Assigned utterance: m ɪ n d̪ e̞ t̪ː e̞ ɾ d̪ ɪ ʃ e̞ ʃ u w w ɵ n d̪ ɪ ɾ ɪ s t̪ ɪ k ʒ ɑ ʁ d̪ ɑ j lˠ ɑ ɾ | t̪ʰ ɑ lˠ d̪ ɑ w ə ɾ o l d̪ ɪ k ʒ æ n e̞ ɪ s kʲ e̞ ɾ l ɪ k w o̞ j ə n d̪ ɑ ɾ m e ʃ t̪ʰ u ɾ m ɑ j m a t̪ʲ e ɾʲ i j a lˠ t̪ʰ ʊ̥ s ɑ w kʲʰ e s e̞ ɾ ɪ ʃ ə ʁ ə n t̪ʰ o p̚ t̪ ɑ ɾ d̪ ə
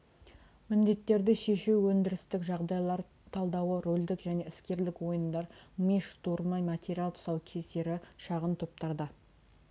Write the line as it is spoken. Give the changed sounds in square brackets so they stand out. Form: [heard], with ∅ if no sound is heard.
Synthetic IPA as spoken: m ɪ n d̪ e̞ t̪ː e̞ ɾ d̪ ɪ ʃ e̞ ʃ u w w ɵ n d̪ ɪ ɾ ɪ s t̪ ɪ k ʒ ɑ ʁ d̪ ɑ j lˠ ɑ ɾ | t̪ʰ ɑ lˠ d̪ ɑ w ə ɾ o l d̪ ɪ k ʒ æ n e̞ ɪ s kʲ e̞ ɾ l ɪ k w o̞ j ə n d̪ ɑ ɾ m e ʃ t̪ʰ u ɾ m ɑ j m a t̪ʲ e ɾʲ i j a lˠ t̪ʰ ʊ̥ s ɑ w kʲʰ e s e̞ ɾ ɪ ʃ [ɑ] ʁ ə n t̪ʰ o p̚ t̪ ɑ ɾ d̪ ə

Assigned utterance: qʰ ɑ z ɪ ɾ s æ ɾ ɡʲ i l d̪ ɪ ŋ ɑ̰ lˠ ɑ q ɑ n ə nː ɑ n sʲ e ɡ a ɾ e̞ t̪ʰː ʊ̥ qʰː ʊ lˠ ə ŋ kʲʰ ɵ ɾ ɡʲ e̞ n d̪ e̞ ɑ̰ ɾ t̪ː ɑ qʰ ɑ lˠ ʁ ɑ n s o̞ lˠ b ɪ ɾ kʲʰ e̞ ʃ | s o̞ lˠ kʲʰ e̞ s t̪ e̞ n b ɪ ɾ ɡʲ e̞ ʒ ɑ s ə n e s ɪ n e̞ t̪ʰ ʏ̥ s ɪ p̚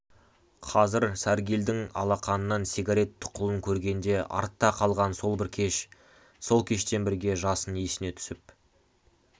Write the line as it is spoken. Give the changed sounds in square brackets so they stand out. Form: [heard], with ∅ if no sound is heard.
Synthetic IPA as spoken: qʰ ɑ z ɪ ɾ s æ ɾ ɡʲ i l d̪ ɪ ŋ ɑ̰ lˠ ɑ q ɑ n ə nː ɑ n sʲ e ɡ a ɾ e̞ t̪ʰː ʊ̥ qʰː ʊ lˠ ə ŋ kʲʰ ɵ ɾ ɡʲ e̞ n d̪ e̞ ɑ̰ ɾ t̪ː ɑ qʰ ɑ lˠ ʁ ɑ n s o̞ lˠ b ɪ ɾ kʲʰ e̞ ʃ | s o̞ lˠ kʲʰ e̞ [ʃ] t̪ e̞ n b ɪ ɾ ɡʲ e̞ ʒ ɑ s ə n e s ɪ n e̞ t̪ʰ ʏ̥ s ɪ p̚

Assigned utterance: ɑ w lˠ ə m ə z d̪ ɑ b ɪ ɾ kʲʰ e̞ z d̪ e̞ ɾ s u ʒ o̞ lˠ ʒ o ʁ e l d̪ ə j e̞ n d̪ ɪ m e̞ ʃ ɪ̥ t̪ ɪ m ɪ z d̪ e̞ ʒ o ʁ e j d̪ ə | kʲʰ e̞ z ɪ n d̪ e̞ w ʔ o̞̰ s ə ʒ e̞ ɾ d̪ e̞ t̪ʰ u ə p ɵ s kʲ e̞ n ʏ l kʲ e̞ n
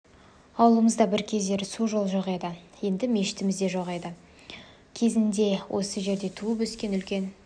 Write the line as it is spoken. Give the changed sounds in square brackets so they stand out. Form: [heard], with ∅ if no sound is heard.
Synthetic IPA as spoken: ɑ w lˠ ə m ə z d̪ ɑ b ɪ ɾ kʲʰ e̞ z d̪ e̞ ɾ s u ʒ o̞ lˠ ʒ o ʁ e [∅] d̪ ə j e̞ n d̪ ɪ m e̞ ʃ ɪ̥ t̪ ɪ m ɪ z d̪ e̞ ʒ o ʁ e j d̪ ə | kʲʰ e̞ z ɪ n d̪ e̞ w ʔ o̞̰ s ə ʒ e̞ ɾ d̪ e̞ t̪ʰ u ə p ɵ s kʲ e̞ n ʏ l kʲ e̞ n

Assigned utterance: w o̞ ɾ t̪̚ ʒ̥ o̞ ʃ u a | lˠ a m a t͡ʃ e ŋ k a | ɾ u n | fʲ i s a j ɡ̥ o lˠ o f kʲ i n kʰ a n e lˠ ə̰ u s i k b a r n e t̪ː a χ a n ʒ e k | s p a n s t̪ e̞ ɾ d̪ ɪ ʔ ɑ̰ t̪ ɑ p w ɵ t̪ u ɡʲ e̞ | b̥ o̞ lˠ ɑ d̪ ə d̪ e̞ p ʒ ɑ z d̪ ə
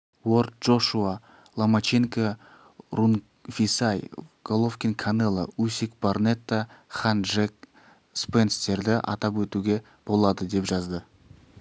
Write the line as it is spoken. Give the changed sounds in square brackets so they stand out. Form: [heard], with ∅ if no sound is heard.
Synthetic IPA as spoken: w o̞ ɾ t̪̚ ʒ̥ o̞ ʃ u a | lˠ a m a t͡ʃ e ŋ k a | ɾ u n | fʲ i s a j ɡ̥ o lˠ o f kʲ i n kʰ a n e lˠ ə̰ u s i k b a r n e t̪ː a χ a n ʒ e k | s p [e] n s t̪ e̞ ɾ d̪ ɪ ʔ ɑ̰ t̪ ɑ p w ɵ t̪ u ɡʲ e̞ | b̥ o̞ lˠ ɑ d̪ ə d̪ e̞ p ʒ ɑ z d̪ ə

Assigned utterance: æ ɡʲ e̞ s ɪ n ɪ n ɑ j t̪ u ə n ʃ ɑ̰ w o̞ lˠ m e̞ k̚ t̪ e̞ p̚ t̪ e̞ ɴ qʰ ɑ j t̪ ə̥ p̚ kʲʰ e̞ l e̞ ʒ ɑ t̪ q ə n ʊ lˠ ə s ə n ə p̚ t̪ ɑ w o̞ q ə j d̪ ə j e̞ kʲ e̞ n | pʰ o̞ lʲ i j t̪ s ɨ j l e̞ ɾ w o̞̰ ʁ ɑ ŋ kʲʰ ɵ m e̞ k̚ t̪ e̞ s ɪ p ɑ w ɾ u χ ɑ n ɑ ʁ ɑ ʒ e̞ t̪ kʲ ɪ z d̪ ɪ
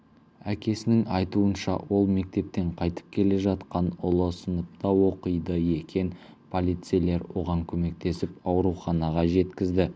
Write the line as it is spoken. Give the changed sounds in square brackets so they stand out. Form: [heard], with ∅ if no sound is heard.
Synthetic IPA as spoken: æ [kʲ] e̞ s ɪ n ɪ [ŋ] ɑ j t̪ u ə n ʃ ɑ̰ w o̞ lˠ m e̞ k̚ t̪ e̞ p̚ t̪ e̞ ɴ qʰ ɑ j t̪ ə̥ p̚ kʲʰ e̞ l e̞ ʒ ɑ t̪ q [ɑ] n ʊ lˠ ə s ə n ə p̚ t̪ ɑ w o̞ q ə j d̪ ə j e̞ kʲ e̞ n | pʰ o̞ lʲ i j t̪ s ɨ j l e̞ ɾ w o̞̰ ʁ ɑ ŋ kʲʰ ɵ m e̞ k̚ t̪ e̞ s ɪ p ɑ w ɾ u χ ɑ n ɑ ʁ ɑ ʒ e̞ t̪ kʲ ɪ z d̪ ɪ

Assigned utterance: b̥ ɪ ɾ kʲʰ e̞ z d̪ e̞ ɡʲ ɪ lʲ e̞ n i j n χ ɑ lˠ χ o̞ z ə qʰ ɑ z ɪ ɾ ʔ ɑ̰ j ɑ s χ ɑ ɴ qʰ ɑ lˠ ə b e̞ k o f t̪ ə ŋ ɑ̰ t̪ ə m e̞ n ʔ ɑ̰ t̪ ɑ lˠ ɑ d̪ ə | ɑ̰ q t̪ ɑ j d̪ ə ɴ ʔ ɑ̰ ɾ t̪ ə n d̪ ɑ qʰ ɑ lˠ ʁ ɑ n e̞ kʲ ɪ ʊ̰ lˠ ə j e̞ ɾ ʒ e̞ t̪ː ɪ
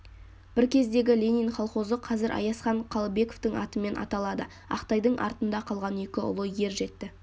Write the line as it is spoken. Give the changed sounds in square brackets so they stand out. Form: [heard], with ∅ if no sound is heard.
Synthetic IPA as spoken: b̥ ɪ ɾ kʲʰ e̞ z d̪ e̞ ɡʲ ɪ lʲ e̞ n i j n χ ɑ lˠ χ o̞ z ə qʰ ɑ z ɪ ɾ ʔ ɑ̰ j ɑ s χ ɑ ɴ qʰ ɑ lˠ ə b e̞ k o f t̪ ə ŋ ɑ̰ t̪ ə m e̞ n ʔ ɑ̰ t̪ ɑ lˠ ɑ d̪ ə | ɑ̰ q t̪ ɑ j d̪ ə ɴ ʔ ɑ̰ ɾ t̪ ə n d̪ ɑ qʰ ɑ lˠ ʁ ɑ n e̞ kʲ ɪ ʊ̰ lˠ ə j e̞ ɾ ʒ e̞ t̪ː ɪ

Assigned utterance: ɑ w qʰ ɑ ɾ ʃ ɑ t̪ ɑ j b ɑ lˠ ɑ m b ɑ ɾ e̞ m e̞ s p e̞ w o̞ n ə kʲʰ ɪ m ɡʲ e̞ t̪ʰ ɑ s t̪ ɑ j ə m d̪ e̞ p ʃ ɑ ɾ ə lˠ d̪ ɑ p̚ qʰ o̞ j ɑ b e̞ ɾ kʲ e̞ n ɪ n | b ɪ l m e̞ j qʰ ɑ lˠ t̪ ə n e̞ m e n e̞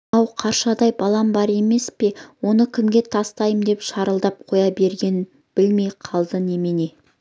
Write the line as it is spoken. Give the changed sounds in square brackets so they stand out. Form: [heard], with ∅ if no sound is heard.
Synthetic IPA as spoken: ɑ w qʰ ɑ ɾ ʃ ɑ [d̪] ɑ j b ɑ lˠ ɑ m b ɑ ɾ e̞ m e̞ s p e̞ w o̞ n ə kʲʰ ɪ m ɡʲ e̞ t̪ʰ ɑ s t̪ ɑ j ə m d̪ e̞ p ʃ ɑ ɾ ə lˠ d̪ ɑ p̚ qʰ o̞ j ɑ b e̞ ɾ [ɡʲ] e̞ n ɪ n | b ɪ l m e̞ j qʰ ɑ lˠ [d̪] ə n e̞ m e n e̞

